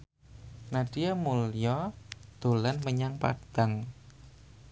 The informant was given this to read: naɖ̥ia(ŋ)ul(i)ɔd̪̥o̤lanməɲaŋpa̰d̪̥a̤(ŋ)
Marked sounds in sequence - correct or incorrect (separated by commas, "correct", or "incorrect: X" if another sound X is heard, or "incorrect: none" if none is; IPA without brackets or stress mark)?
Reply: incorrect: m, incorrect: j, correct